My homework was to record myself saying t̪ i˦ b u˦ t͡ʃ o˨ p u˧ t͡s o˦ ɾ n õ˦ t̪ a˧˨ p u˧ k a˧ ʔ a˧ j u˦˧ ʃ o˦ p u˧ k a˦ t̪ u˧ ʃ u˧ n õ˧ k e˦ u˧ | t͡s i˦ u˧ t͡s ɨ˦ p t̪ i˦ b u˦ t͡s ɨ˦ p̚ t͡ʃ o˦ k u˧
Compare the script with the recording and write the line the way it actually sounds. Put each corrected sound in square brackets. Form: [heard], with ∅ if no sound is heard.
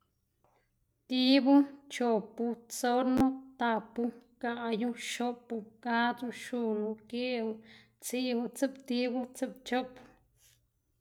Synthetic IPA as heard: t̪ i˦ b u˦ t͡ʃ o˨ p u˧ t͡s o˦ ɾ n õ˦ t̪ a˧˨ p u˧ k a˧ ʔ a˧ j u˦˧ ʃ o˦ p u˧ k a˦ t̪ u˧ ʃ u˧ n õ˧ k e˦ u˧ | t͡s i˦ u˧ t͡s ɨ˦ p t̪ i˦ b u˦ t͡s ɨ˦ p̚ t͡ʃ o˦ [p] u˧